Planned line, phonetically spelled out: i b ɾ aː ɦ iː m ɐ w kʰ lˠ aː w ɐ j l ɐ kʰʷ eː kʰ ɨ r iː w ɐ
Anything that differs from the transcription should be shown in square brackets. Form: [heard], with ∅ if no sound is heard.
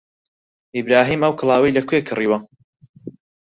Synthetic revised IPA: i b ɾ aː ɦ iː m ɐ w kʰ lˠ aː w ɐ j l ɐ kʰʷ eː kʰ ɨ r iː w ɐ